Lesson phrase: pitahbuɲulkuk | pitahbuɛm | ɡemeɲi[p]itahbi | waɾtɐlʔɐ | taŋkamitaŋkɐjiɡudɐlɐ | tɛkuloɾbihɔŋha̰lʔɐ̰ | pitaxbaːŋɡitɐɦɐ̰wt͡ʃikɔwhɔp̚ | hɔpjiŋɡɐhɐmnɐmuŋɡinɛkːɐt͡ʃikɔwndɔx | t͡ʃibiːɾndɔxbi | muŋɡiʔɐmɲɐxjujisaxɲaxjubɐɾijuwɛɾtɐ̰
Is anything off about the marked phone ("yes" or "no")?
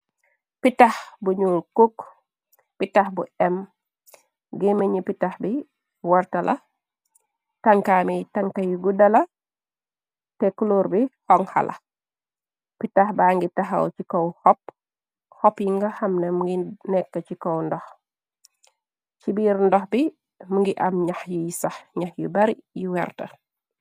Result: no